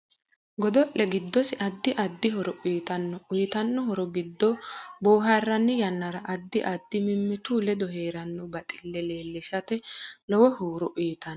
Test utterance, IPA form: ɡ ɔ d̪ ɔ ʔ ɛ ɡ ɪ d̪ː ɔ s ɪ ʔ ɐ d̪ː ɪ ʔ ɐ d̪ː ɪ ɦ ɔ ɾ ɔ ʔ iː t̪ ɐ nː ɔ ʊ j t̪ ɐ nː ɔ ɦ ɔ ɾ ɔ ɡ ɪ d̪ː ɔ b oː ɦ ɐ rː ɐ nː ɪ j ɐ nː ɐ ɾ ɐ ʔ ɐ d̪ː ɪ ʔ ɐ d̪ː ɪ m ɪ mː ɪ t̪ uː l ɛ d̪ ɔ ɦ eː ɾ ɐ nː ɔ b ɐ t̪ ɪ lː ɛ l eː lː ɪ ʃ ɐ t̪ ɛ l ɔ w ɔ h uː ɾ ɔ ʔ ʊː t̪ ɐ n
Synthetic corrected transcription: ɡ ɔ d̪ ɔ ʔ ɛ ɡ ɪ d̪ː ɔ s ɪ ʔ ɐ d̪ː ɪ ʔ ɐ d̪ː ɪ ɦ ɔ ɾ ɔ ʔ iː t̪ ɐ nː ɔ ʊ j t̪ ɐ nː ɔ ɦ ɔ ɾ ɔ ɡ ɪ d̪ː ɔ b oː ɦ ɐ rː ɐ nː ɪ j ɐ nː ɐ ɾ ɐ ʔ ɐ d̪ː ɪ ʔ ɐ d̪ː ɪ m ɪ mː ɪ t̪ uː l ɛ d̪ ɔ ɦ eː ɾ ɐ nː ɔ b ɐ t̪ʼ ɪ lː ɛ l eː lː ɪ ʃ ɐ t̪ ɛ l ɔ w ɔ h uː ɾ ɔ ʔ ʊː t̪ ɐ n